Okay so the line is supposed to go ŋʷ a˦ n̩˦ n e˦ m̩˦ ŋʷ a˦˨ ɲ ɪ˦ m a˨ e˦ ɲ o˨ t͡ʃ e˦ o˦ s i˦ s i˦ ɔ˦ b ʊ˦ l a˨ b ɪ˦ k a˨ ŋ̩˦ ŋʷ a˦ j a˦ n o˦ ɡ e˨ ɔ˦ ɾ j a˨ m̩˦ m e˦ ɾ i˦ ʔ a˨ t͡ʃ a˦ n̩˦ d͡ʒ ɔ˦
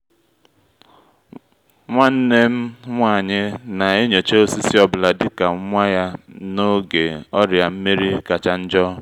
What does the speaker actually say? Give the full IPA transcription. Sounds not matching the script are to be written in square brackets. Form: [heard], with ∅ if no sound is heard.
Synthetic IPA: ŋʷ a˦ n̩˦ n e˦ m̩˦ ŋʷ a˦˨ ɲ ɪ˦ [n] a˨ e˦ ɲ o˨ t͡ʃ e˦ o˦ s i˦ s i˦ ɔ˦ b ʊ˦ l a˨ [d] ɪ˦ k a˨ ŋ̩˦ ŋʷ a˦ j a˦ n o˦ ɡ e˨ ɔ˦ ɾ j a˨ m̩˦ m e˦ ɾ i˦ [k] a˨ t͡ʃ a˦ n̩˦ d͡ʒ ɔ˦

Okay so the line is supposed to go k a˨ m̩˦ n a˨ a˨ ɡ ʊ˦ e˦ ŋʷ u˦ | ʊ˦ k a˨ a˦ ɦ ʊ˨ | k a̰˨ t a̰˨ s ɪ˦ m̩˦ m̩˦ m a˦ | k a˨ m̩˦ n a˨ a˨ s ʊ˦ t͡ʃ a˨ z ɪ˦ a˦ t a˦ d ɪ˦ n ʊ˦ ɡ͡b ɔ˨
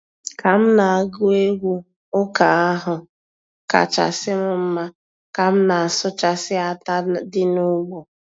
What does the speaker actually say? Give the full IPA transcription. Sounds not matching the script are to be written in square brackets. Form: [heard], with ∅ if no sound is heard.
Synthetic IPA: k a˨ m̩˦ n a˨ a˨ ɡ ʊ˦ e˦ [ɡʷ] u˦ | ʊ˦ k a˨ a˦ ɦ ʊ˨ | k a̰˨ [t͡ʃ] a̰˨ s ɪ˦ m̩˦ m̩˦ m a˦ | k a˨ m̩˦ n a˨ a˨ s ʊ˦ t͡ʃ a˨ [s] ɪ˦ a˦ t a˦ d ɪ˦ n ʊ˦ ɡ͡b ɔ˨

